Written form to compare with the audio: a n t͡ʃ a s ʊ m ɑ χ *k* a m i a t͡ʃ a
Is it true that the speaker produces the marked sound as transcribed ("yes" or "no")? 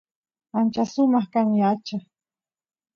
yes